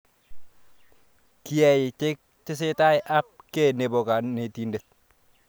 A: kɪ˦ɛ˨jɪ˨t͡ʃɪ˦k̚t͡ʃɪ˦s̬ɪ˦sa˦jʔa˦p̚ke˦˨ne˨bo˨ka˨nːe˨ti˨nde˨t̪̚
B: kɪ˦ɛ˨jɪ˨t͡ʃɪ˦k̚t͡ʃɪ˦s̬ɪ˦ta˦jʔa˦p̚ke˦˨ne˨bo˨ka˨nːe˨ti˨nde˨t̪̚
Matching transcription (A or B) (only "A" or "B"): B